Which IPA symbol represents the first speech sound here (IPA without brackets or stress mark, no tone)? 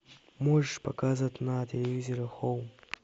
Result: m